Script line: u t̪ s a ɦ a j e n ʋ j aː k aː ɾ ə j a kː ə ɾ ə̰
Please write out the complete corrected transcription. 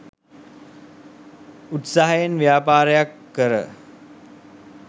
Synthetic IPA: u t̪ s a ɦ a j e n ʋ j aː p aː ɾ ə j a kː ə ɾ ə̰